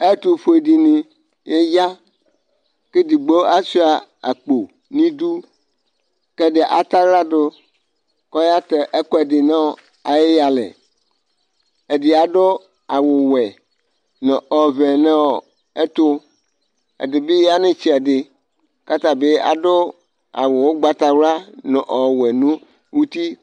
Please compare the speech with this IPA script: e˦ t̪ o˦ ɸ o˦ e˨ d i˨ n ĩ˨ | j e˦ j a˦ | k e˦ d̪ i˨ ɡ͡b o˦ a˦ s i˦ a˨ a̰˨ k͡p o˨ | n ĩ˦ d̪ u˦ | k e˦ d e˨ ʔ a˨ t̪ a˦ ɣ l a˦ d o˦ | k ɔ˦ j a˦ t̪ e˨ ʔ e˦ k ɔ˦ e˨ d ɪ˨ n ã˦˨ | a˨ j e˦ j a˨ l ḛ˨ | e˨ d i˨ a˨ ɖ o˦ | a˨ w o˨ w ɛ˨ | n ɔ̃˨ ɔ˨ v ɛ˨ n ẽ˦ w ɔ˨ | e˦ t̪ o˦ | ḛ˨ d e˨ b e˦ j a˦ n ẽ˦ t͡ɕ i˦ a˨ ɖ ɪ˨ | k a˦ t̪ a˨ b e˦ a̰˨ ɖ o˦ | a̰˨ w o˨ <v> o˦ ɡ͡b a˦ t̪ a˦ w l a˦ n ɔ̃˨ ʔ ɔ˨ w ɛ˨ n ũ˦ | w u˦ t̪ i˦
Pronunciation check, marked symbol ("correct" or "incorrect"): incorrect